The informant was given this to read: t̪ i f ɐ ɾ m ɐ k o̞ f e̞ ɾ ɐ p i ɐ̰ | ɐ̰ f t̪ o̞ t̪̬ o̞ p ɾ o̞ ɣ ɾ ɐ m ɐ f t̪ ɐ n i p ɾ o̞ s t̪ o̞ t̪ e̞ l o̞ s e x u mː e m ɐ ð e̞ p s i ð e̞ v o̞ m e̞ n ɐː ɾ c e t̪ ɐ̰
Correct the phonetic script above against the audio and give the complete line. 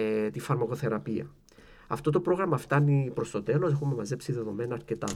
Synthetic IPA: t̪ i f ɐ ɾ m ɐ k o̞ θ e̞ ɾ ɐ p i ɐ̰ | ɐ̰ f t̪ o̞ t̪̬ o̞ p ɾ o̞ ɣ ɾ ɐ m ɐ f t̪ ɐ n i p ɾ o̞ s t̪ o̞ t̪ e̞ l o̞ s e x u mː e m ɐ z e̞ p s i ð e̞ ð o̞ m e̞ n ɐː ɾ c e t̪ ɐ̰